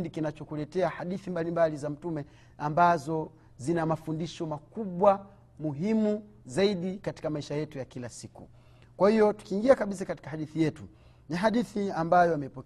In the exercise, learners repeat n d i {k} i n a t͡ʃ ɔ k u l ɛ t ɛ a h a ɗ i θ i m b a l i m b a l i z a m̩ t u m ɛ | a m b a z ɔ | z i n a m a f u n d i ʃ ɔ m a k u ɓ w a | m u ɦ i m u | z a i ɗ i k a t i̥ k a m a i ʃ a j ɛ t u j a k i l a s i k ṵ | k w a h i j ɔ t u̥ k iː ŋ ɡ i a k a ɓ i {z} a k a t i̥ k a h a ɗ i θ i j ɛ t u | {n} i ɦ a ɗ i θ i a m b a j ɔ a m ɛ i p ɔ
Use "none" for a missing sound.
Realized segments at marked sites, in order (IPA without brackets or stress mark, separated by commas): k, s, n